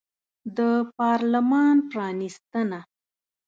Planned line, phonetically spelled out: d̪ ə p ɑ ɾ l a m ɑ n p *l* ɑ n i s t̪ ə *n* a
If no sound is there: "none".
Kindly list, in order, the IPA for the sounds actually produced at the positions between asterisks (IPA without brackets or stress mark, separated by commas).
ɾ, n